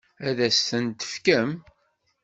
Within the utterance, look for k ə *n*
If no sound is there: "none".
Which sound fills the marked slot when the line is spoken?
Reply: m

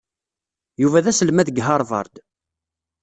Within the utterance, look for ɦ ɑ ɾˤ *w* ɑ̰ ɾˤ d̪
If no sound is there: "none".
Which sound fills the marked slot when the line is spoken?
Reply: v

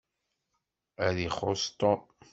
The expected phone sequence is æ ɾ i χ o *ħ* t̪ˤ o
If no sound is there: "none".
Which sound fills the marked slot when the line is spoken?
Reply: s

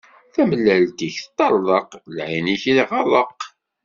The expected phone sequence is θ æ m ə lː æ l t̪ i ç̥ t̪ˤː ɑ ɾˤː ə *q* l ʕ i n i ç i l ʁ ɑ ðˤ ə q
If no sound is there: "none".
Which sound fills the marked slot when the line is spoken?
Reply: q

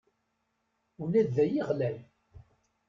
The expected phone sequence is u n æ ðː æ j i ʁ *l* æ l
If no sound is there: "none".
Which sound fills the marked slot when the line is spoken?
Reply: l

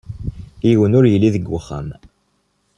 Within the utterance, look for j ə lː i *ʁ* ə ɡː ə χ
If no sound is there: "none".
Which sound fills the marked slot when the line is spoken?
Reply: ð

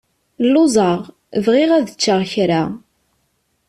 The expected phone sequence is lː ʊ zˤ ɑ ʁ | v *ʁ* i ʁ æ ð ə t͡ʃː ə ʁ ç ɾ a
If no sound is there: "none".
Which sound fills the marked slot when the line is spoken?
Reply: ʁ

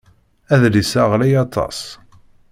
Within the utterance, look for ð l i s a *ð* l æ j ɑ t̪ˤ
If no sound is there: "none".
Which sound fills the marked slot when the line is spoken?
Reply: ʁ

